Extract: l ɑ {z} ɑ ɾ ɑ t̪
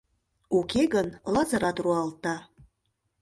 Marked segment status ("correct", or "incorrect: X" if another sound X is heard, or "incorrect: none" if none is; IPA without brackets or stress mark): correct